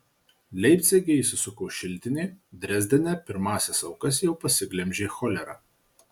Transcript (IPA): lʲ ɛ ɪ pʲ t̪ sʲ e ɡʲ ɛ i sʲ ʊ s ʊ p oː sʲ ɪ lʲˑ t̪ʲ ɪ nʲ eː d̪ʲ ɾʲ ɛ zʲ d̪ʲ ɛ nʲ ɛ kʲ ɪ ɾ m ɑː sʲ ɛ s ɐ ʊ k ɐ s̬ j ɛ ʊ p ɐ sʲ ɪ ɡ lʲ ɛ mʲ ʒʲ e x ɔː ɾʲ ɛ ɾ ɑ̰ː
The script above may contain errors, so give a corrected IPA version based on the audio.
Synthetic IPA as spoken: lʲ ɛ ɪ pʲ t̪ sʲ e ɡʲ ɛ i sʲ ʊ s ʊ k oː ʃʲ ɪ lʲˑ t̪ʲ ɪ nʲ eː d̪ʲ ɾʲ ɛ zʲ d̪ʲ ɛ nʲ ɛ pʲ ɪ ɾ m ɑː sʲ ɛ s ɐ ʊ k ɐ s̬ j ɛ ʊ p ɐ sʲ ɪ ɡ lʲ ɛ mʲ ʒʲ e x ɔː lʲ ɛ ɾ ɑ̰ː